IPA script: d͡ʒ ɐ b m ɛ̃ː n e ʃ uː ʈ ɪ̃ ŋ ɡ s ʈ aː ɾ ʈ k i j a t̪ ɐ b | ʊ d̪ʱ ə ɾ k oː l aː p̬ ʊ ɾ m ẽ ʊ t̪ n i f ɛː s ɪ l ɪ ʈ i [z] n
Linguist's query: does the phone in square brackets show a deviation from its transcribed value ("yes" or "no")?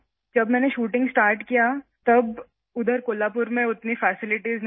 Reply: no